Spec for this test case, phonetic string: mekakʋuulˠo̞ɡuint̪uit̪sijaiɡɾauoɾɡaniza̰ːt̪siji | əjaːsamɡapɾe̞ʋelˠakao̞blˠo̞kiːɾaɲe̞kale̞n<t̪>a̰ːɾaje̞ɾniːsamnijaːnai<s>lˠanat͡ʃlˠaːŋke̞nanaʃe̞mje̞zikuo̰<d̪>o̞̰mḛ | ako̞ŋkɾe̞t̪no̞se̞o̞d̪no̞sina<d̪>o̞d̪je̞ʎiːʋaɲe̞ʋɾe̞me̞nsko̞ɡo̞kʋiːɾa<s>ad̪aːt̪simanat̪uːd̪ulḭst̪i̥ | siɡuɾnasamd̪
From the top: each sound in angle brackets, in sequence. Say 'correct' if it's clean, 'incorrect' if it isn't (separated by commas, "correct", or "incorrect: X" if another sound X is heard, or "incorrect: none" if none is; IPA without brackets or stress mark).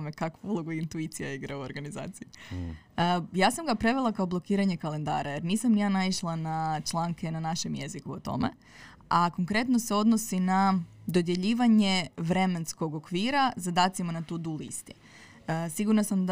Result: incorrect: d̪, incorrect: ʃ, incorrect: t̪, correct, incorrect: z